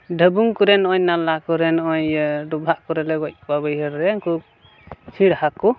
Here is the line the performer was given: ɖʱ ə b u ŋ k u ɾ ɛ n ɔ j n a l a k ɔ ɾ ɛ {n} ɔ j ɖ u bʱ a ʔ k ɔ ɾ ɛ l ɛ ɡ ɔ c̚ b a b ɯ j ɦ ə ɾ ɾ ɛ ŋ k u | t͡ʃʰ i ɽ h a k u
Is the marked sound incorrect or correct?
correct